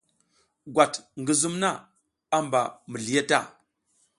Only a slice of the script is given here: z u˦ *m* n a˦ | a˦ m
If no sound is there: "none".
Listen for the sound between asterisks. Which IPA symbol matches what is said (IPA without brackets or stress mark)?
m